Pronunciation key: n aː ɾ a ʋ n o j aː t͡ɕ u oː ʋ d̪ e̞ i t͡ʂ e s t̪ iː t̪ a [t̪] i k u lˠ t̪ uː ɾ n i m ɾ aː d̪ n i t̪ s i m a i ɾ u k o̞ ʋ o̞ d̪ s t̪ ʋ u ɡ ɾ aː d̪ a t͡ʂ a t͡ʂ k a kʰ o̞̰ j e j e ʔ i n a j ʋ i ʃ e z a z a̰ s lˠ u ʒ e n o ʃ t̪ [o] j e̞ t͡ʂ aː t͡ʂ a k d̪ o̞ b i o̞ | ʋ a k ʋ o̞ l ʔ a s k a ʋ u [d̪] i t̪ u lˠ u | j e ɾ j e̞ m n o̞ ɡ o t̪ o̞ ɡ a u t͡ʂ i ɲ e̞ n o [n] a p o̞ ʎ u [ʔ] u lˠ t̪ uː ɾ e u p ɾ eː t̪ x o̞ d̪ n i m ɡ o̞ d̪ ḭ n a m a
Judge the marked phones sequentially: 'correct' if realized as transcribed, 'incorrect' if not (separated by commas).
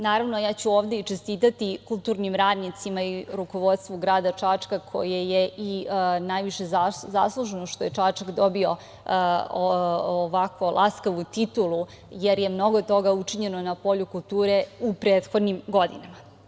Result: correct, correct, incorrect, correct, incorrect